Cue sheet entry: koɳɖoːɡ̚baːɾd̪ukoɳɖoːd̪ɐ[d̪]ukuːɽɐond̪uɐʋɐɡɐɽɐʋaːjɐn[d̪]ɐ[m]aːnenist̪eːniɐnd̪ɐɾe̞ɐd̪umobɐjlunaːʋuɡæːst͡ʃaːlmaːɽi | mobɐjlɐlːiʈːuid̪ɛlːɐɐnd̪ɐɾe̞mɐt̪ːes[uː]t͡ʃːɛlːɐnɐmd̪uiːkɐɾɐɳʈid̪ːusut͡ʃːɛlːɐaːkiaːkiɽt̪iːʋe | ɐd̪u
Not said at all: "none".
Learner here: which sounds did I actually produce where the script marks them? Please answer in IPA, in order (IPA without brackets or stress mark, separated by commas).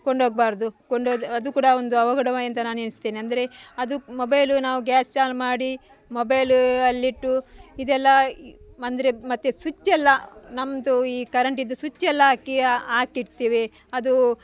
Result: d̪, t̪, n, u